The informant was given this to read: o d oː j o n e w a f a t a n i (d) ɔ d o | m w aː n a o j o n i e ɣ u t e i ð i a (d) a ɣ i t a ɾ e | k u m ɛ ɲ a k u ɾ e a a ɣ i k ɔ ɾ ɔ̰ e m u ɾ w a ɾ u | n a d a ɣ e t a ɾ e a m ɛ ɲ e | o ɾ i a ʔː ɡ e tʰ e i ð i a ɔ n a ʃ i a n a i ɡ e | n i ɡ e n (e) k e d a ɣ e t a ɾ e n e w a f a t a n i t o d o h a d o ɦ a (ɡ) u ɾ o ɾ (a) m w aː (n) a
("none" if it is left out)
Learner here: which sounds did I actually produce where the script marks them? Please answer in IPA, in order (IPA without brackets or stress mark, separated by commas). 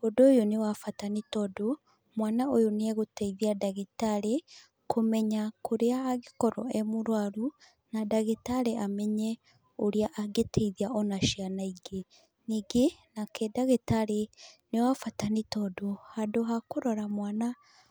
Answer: t, d, a, k, a, n